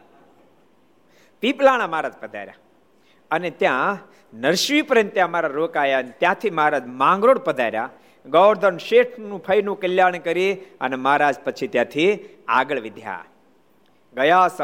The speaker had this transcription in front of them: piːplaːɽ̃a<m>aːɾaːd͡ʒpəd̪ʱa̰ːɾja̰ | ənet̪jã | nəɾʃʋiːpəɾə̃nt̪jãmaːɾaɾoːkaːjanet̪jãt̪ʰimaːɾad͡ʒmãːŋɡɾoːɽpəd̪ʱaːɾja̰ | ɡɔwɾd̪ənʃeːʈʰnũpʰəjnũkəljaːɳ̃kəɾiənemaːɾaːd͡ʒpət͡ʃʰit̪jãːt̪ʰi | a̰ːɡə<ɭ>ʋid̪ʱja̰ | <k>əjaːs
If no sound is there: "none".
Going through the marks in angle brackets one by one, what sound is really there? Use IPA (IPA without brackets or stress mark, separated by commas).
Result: m, ɭ, ɡ